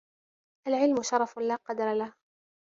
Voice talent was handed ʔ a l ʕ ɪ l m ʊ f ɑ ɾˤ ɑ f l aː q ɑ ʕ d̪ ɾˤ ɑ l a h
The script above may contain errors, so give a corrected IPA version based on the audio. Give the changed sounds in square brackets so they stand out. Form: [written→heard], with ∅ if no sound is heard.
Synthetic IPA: ʔ a l ʕ ɪ l m ʊ [f→ʃ] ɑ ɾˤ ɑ f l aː q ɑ [ʕ→∅] d̪ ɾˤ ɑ l a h